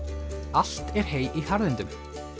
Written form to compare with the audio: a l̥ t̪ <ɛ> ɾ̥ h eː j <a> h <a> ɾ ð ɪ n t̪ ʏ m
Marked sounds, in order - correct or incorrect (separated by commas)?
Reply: correct, incorrect, correct